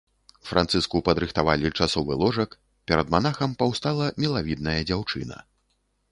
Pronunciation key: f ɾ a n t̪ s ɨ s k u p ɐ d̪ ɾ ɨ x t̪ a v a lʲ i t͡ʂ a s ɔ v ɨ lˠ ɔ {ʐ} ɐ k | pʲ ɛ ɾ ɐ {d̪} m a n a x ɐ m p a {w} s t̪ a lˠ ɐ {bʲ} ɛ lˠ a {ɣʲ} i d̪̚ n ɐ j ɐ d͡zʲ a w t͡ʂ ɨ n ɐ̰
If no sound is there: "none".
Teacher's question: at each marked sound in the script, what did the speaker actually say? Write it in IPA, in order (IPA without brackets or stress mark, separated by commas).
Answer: ʐ, d̪, w, mʲ, vʲ